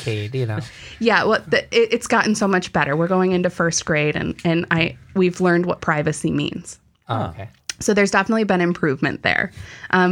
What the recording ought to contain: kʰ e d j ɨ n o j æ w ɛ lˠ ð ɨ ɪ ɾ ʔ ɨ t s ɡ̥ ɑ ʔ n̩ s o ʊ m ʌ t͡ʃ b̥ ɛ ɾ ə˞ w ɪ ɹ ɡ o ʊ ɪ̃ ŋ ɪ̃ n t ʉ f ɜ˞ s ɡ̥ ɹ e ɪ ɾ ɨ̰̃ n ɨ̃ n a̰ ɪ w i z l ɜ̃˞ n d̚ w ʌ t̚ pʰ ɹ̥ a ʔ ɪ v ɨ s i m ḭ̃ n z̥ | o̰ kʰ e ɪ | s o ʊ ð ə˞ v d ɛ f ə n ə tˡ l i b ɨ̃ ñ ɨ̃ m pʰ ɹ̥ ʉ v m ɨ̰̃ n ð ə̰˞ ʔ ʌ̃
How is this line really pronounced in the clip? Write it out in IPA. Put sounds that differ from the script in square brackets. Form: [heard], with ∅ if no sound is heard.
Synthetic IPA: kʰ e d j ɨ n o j æ w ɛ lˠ ð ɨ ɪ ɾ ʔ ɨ t s ɡ̥ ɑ ʔ n̩ s o ʊ m ʌ t͡ʃ b̥ ɛ ɾ ə˞ w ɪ ɹ ɡ o ʊ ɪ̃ ŋ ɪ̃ n t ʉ f ɜ˞ s ɡ̥ ɹ e ɪ ɾ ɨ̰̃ n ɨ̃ n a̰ ɪ w i [v] l ɜ̃˞ n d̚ w ʌ t̚ pʰ ɹ̥ a [∅] ɪ v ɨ s i m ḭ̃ n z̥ | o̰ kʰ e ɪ | s o ʊ ð ə˞ [z] d ɛ f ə n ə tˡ l i b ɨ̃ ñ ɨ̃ m pʰ ɹ̥ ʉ v m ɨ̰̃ n ð ə̰˞ ʔ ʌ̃